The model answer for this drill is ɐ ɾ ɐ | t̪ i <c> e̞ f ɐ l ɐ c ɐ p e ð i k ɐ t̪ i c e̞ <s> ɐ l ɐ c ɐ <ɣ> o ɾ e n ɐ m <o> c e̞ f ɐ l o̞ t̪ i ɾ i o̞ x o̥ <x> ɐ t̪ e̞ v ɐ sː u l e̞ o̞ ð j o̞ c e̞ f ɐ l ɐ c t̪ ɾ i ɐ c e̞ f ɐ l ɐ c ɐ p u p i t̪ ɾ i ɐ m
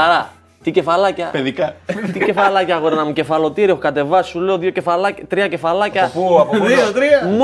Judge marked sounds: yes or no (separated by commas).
yes, no, yes, no, no